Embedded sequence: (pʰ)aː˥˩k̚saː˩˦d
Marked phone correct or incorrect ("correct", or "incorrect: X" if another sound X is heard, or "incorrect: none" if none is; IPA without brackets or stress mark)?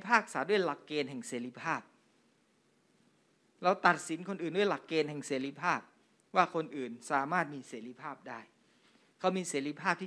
correct